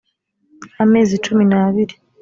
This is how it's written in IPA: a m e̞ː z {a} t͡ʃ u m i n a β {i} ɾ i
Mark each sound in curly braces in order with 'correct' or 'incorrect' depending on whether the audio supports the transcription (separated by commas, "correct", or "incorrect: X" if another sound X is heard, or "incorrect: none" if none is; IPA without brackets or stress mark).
incorrect: i, correct